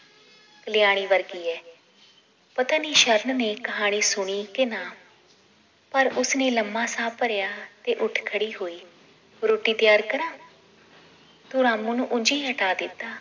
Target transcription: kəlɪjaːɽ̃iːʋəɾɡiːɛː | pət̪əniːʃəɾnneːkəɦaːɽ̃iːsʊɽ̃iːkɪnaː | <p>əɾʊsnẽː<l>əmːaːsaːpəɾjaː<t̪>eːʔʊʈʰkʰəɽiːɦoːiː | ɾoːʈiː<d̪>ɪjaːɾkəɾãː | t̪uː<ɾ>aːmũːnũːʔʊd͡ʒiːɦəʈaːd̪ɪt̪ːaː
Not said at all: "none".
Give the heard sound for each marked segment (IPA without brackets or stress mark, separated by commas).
p, l, t̪, t̪, ɾ